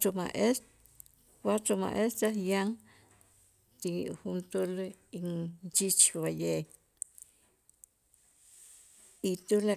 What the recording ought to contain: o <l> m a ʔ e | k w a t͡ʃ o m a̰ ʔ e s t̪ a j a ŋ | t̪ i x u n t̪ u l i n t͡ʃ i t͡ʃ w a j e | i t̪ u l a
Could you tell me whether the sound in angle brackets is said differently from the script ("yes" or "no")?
yes